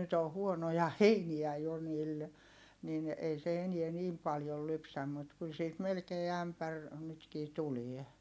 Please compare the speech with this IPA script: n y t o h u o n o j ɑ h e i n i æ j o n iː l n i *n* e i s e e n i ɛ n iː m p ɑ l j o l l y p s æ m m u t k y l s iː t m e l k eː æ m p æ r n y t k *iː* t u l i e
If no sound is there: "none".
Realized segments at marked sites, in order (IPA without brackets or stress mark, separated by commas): n, iː